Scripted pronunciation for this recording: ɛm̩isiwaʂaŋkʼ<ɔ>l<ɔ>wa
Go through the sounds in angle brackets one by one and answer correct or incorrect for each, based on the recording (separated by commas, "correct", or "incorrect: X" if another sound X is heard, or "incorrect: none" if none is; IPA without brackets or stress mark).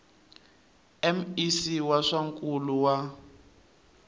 incorrect: u, incorrect: u